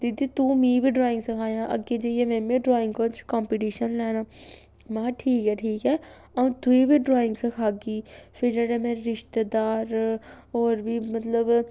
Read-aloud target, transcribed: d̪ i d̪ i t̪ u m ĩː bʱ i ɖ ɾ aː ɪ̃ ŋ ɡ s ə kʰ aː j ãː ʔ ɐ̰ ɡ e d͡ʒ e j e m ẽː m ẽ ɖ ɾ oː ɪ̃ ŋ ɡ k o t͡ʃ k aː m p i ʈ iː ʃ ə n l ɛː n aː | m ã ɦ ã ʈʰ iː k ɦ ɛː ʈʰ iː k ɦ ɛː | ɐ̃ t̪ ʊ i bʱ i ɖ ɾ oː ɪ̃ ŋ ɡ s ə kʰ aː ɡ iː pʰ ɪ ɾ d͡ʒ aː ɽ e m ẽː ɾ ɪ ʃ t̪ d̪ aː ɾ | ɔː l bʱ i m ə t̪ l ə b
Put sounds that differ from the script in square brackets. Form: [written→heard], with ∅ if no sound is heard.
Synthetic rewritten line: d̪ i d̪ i t̪ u m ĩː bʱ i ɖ ɾ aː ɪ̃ ŋ ɡ s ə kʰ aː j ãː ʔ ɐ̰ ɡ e d͡ʒ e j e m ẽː m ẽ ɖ ɾ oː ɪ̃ ŋ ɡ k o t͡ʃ k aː m p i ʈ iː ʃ ə n l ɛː n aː | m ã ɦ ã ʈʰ iː k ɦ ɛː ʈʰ iː k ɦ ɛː | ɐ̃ t̪ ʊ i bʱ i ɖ ɾ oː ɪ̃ ŋ ɡ s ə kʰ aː ɡ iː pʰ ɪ ɾ d͡ʒ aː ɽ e m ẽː ɾ ɪ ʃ t̪ d̪ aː ɾ | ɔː [l→ɾ] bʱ i m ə t̪ l ə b